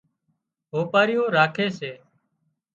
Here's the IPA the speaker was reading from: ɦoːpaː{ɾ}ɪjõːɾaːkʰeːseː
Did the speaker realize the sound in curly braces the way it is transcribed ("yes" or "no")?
yes